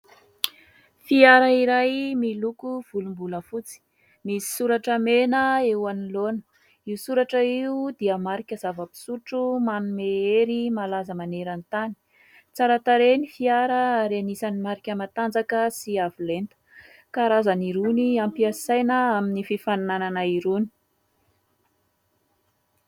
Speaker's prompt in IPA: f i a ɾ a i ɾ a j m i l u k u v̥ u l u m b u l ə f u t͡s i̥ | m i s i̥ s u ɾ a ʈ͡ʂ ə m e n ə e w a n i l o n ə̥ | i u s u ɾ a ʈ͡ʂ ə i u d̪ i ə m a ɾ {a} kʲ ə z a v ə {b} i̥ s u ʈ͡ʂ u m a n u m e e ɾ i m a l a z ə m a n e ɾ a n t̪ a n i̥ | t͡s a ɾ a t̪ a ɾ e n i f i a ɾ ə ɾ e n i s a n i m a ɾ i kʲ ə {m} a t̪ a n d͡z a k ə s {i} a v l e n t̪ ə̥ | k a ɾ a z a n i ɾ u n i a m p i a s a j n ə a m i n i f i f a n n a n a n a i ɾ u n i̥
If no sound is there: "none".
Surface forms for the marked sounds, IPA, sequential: i, p, m, i

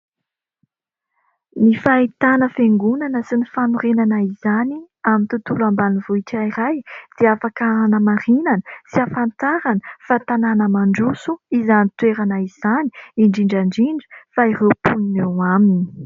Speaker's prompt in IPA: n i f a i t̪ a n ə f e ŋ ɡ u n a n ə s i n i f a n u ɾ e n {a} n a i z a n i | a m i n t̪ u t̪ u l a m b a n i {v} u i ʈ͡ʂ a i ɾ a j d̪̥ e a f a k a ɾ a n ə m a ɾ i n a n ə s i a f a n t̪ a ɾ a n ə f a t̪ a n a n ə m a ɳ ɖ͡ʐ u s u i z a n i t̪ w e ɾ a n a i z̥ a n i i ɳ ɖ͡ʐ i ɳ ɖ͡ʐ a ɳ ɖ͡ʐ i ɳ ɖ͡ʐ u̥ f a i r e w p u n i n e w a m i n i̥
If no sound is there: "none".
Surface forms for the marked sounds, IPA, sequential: a, v

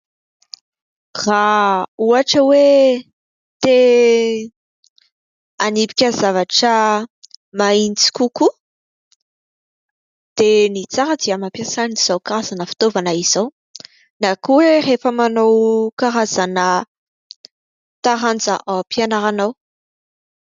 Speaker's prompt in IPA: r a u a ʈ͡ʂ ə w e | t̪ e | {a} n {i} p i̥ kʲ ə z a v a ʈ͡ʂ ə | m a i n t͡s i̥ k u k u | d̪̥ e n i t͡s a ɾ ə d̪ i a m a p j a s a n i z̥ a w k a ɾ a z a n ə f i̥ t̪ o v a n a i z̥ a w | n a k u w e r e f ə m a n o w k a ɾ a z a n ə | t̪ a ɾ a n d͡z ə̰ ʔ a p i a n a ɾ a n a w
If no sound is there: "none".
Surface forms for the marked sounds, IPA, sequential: a, i

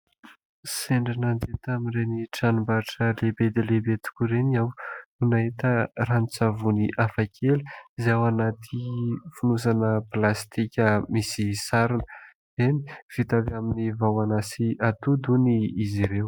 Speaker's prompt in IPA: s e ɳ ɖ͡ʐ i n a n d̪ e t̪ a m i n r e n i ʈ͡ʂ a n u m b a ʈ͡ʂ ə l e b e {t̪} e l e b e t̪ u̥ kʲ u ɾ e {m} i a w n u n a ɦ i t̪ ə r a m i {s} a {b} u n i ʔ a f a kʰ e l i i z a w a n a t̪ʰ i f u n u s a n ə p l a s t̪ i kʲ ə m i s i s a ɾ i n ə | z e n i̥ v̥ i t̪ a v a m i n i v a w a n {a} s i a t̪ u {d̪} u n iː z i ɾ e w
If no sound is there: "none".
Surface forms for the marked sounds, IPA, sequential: d̪, n, t͡s, v, a, d̪

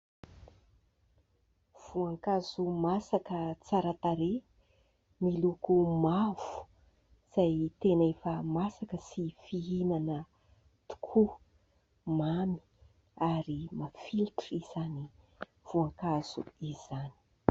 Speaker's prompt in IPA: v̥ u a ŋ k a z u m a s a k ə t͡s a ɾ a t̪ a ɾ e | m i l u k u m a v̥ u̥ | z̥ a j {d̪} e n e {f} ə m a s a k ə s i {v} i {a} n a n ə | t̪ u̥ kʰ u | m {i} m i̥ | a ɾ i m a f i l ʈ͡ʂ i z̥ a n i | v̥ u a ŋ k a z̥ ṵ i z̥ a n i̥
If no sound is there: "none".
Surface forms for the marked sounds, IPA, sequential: t̪, f, f, i, a

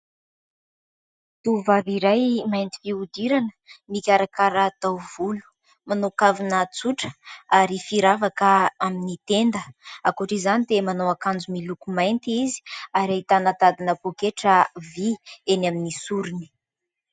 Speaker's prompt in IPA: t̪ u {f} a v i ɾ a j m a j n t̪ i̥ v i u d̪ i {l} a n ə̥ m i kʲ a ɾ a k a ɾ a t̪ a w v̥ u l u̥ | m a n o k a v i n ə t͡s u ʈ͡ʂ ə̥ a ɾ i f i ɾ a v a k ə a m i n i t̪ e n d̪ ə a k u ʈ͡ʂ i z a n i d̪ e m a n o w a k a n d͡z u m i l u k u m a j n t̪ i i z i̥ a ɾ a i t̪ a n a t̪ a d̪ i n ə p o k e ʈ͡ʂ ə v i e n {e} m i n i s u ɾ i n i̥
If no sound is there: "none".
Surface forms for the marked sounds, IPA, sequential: v, ɾ, a

